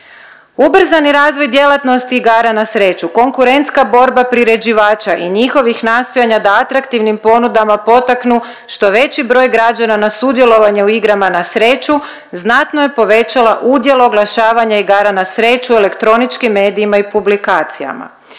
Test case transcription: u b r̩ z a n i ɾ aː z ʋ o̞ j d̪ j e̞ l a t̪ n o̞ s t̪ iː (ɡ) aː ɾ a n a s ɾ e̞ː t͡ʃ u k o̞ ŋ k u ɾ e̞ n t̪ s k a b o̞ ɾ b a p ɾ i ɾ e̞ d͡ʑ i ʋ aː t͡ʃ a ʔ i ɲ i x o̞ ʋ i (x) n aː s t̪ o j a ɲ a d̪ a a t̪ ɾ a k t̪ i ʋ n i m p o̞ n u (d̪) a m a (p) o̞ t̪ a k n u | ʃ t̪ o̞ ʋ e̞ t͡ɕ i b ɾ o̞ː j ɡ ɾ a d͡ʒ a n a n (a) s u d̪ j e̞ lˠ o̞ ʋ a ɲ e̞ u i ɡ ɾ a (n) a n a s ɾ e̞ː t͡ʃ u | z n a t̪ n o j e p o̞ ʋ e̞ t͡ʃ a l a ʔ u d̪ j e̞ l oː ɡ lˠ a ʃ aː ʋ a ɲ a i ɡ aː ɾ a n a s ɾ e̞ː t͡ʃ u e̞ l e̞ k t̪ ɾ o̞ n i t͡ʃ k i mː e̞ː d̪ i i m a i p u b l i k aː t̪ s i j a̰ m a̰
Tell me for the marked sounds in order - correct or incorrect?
correct, correct, correct, correct, correct, incorrect

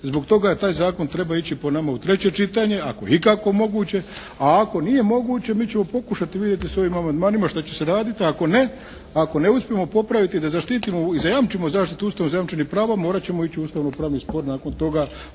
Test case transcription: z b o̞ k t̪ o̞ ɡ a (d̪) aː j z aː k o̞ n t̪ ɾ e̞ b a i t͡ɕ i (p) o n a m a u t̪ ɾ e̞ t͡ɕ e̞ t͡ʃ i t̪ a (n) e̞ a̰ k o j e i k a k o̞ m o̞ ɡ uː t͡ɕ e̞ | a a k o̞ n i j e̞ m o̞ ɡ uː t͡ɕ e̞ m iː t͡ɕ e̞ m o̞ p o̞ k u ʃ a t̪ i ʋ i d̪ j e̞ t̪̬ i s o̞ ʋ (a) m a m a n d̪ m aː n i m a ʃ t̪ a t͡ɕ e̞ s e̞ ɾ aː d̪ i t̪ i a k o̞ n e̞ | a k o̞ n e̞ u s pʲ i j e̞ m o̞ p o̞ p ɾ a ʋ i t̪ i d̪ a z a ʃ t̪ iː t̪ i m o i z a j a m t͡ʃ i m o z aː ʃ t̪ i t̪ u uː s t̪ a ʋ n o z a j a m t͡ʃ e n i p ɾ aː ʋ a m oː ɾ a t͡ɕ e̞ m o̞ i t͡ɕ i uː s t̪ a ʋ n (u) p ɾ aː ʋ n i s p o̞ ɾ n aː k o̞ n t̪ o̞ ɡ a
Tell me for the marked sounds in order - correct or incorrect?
incorrect, correct, incorrect, incorrect, incorrect

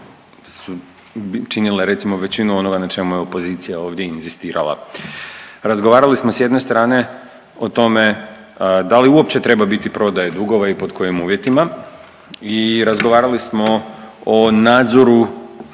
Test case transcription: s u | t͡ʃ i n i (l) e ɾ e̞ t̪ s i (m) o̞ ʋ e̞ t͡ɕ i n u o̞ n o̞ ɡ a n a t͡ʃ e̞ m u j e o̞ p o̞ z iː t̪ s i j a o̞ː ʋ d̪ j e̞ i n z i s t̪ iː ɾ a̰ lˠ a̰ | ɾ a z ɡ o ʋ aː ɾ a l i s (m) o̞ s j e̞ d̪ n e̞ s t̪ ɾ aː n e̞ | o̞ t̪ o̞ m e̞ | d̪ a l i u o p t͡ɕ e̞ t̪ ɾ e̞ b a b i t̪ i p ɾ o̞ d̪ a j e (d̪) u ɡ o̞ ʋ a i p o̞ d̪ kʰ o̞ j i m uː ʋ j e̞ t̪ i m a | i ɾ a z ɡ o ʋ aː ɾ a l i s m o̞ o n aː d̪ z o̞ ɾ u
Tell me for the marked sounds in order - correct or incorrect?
correct, correct, correct, correct

